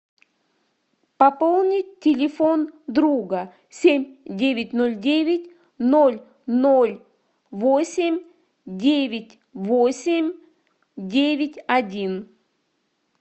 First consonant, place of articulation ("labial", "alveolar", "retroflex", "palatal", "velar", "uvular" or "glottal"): labial